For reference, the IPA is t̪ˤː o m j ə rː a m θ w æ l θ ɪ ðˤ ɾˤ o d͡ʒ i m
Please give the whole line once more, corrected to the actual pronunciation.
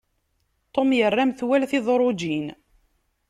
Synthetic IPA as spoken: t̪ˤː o m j ə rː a m θ w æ l θ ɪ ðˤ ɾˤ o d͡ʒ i n

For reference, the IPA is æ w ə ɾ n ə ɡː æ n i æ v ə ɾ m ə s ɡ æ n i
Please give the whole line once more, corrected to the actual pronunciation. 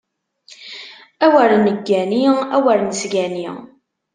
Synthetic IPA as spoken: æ w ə ɾ n ə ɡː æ n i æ w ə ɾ n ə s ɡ æ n i

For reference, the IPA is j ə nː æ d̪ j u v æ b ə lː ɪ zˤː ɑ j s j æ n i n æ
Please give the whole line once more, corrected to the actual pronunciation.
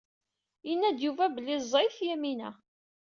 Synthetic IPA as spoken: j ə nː æ d̪ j u v æ b ə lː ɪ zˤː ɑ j θ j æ m i n æ

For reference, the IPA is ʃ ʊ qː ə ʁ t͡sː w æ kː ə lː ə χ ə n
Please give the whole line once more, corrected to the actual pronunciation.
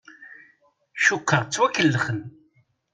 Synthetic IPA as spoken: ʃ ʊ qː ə ʁ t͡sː w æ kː ə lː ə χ ə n

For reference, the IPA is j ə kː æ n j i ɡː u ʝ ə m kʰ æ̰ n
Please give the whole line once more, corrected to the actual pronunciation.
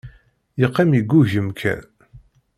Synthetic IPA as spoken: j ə qː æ m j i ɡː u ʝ ə m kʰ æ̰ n

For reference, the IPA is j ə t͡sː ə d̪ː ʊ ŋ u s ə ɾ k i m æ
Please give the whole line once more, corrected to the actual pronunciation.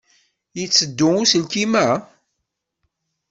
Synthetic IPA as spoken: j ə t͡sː ə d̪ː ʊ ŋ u s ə l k i m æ

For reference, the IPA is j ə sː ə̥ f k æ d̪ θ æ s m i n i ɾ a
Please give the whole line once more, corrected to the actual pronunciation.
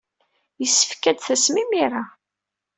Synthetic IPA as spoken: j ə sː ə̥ f k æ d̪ θ æ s m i m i ɾ a

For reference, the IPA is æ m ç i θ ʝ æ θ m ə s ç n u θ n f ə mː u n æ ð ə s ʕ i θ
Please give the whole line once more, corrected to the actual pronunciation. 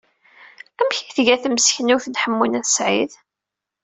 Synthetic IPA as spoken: æ m ç i θ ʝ æ θ m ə s ç n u θ n ħ ə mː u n æ θ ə s ʕ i ð

